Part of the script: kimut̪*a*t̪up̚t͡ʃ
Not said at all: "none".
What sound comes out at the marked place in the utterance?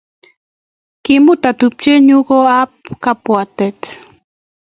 a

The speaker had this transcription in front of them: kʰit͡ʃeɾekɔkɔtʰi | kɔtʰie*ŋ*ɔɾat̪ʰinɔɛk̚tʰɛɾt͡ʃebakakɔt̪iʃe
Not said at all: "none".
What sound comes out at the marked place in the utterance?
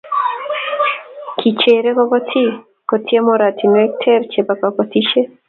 m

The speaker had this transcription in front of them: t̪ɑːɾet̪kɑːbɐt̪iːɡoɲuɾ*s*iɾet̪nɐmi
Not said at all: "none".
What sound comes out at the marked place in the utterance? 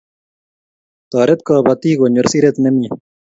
s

